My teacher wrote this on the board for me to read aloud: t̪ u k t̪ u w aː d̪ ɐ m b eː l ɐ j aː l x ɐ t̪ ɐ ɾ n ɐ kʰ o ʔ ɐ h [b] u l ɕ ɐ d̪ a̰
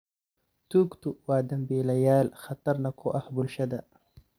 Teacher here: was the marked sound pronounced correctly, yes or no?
yes